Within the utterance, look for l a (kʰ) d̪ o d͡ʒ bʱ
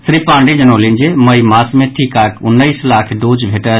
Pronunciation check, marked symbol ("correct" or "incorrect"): correct